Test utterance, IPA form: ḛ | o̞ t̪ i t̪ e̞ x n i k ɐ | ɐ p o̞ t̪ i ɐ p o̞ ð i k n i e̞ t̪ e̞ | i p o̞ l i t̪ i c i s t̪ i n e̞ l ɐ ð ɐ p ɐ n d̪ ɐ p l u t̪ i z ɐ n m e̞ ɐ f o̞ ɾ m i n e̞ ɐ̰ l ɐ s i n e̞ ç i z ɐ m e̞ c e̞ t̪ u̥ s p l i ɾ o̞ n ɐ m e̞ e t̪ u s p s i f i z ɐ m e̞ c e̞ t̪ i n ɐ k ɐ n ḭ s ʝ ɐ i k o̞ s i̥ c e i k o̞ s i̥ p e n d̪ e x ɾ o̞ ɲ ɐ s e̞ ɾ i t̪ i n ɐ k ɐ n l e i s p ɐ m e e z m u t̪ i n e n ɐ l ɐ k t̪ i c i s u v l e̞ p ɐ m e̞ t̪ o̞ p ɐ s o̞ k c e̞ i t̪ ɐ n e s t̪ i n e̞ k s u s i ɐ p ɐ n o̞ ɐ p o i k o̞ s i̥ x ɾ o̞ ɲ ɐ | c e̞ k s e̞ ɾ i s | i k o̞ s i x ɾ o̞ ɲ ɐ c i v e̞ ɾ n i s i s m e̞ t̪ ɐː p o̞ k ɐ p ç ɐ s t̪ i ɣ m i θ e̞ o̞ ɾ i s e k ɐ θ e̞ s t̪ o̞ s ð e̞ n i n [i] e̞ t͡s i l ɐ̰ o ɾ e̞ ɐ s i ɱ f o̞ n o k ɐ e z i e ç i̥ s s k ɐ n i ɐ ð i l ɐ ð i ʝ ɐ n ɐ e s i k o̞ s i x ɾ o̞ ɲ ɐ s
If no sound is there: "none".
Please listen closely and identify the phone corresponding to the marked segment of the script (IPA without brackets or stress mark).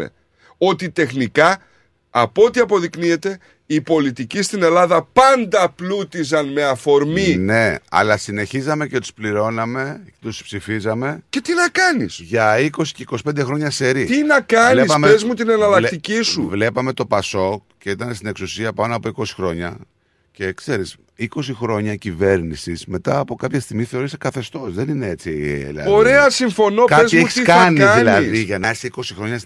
e